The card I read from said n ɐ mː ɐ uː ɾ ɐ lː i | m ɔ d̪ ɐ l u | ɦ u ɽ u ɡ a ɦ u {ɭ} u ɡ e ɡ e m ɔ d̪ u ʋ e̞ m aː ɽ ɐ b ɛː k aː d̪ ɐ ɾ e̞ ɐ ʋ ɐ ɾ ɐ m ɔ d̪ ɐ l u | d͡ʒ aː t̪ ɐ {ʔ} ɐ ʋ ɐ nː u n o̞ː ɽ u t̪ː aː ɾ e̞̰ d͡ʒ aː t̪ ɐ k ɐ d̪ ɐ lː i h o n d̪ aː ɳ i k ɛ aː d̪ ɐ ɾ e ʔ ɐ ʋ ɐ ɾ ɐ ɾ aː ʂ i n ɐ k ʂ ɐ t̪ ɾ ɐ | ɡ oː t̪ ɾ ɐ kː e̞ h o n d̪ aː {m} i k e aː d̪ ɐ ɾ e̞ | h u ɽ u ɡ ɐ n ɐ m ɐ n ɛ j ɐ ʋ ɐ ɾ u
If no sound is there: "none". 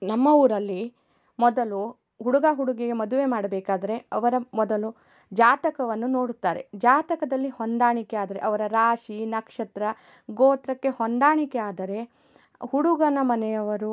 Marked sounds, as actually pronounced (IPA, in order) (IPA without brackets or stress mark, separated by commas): ɽ, k, ɳ